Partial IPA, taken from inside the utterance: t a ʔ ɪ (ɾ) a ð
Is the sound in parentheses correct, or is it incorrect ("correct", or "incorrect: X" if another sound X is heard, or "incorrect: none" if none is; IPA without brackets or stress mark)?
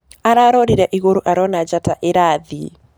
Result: correct